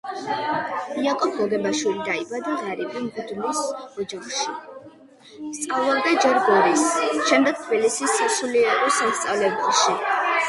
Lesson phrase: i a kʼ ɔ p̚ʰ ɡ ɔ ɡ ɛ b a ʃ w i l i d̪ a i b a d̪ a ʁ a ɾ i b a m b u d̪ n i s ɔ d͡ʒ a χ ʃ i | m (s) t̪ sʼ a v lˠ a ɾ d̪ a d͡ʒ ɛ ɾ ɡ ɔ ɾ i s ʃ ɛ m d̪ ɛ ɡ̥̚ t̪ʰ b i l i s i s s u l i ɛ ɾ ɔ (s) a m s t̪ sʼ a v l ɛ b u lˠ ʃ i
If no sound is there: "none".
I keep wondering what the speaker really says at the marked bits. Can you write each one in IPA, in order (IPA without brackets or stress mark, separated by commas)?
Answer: s, s